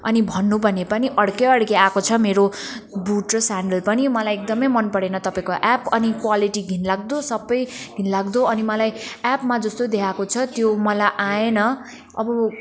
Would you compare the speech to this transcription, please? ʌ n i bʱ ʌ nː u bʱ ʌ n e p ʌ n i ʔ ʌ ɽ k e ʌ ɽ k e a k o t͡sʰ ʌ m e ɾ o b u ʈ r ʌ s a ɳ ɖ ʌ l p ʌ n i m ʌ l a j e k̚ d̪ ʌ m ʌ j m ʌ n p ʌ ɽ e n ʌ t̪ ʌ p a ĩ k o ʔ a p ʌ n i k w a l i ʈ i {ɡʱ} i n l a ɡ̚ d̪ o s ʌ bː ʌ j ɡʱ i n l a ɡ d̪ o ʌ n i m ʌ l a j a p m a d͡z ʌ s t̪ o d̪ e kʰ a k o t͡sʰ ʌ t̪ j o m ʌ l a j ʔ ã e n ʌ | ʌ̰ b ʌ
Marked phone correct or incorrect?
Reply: correct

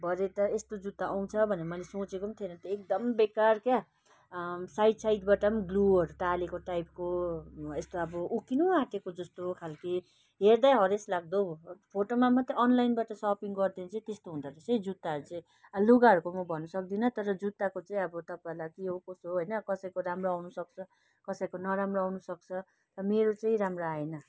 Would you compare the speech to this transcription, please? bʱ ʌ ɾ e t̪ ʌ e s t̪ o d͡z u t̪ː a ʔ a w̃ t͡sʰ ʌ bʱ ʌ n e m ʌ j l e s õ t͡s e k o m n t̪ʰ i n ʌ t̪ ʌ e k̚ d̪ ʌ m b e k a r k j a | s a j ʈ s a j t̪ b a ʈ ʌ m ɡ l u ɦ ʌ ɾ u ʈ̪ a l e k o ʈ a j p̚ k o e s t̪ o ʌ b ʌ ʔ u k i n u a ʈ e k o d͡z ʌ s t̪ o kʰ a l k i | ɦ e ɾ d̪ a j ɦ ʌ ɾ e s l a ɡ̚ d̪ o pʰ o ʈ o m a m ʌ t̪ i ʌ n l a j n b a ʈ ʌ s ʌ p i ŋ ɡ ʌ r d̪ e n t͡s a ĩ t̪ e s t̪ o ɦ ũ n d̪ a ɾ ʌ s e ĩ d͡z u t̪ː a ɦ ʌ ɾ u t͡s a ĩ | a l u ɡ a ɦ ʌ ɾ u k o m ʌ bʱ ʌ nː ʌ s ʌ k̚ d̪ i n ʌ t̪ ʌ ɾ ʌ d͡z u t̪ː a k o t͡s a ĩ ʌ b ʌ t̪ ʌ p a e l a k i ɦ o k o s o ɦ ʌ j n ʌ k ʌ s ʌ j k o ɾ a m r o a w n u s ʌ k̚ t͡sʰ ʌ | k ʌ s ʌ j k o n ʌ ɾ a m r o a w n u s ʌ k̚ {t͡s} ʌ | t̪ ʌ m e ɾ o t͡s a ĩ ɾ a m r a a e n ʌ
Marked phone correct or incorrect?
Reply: incorrect: t͡sʰ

